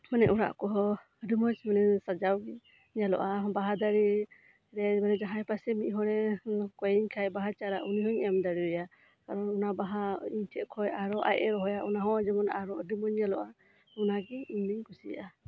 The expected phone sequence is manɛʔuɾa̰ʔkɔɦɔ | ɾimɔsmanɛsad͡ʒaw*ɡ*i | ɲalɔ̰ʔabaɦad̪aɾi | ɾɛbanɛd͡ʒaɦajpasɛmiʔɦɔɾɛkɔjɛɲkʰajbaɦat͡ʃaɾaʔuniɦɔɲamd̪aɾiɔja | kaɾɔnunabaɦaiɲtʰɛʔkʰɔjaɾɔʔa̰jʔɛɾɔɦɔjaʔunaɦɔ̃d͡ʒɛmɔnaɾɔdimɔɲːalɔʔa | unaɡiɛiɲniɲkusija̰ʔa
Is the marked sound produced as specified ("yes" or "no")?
yes